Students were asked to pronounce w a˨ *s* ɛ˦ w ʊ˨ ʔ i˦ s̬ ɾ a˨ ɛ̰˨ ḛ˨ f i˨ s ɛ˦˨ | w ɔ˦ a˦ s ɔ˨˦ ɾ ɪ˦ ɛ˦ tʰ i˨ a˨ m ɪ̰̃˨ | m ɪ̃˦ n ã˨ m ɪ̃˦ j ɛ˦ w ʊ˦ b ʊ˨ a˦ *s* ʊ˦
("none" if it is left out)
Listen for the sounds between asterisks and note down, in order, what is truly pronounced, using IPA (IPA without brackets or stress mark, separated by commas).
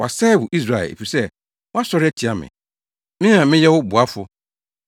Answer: s, f